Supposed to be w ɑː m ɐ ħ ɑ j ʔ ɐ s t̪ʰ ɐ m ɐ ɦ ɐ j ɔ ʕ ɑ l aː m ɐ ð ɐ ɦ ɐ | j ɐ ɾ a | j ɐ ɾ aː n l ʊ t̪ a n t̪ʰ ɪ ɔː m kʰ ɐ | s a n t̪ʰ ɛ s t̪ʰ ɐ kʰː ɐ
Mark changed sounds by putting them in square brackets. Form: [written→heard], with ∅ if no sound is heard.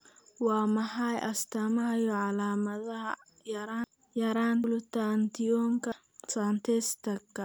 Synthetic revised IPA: w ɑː m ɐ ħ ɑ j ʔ ɐ s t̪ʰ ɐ m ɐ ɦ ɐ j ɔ ʕ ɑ l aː m ɐ ð ɐ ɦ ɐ | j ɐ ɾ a | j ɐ ɾ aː n l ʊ t̪ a n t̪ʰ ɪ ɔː [m→ŋ] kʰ ɐ | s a n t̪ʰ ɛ s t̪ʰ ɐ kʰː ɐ

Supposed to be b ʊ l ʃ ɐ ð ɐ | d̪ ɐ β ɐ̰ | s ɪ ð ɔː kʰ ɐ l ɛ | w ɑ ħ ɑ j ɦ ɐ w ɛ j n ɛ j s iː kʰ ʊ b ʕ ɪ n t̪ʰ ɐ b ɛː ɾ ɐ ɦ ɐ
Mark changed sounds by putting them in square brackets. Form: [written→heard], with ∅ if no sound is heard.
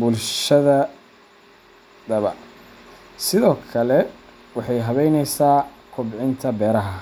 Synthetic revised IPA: b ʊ l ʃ ɐ ð ɐ | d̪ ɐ β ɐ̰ | s ɪ ð ɔː kʰ ɐ l ɛ | w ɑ ħ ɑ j ɦ ɐ [w→β] ɛ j n ɛ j s [iː→aː] kʰ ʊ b ʕ ɪ n t̪ʰ ɐ b ɛː ɾ ɐ ɦ ɐ

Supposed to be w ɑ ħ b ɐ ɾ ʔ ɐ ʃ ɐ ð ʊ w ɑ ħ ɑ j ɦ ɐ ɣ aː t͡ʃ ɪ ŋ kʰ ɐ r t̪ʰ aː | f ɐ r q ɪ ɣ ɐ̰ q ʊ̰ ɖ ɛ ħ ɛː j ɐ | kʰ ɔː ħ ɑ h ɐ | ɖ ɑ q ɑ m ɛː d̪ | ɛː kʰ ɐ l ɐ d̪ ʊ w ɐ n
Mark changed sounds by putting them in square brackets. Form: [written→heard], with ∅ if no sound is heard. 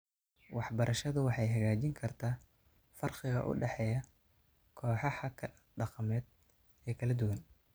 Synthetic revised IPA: w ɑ ħ b ɐ ɾ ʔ ɐ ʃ ɐ ð ʊ w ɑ ħ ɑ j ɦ ɐ ɣ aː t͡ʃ ɪ ŋ kʰ ɐ r t̪ʰ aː | f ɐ r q ɪ ɣ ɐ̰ [q→ʔ] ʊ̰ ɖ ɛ ħ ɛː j ɐ | kʰ ɔː ħ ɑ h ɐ | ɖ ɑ q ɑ m ɛː d̪ | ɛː kʰ ɐ l ɐ d̪ ʊ w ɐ n

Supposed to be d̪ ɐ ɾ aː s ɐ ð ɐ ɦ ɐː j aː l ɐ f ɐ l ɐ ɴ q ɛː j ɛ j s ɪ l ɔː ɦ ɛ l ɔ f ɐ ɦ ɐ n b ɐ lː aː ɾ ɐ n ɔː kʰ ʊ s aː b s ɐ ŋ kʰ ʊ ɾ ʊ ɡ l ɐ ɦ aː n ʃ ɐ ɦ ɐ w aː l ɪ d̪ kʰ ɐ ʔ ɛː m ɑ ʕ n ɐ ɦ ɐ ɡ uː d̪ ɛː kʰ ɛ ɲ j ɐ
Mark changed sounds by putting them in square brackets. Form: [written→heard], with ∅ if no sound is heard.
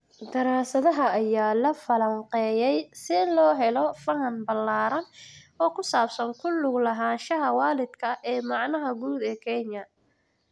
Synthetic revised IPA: d̪ ɐ ɾ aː s ɐ ð ɐ ɦ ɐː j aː l ɐ f ɐ l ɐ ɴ q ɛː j ɛ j s ɪ l ɔː ɦ ɛ l ɔ f ɐ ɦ ɐ n b ɐ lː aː ɾ ɐ n ɔː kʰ ʊ s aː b s ɐ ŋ kʰ ʊ [ɾ→l] ʊ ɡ l ɐ ɦ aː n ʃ ɐ ɦ ɐ w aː l ɪ d̪ kʰ ɐ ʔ ɛː m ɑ ʕ n ɐ ɦ ɐ ɡ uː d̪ ɛː kʰ ɛ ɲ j ɐ

